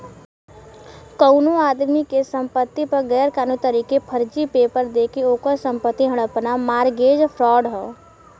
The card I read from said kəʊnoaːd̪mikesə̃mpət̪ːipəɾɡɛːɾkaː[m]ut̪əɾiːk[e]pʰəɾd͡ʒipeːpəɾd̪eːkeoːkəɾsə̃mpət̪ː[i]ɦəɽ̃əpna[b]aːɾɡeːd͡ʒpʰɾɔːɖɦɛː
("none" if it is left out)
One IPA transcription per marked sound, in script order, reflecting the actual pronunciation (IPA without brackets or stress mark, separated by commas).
n, e, i, m